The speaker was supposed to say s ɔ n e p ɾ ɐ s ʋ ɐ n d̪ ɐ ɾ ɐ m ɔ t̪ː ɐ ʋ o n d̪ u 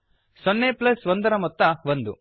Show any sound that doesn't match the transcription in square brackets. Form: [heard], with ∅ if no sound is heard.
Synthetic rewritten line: s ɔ [nː] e p [l] ɐ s ʋ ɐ n d̪ ɐ ɾ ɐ m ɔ t̪ː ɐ ʋ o n d̪ u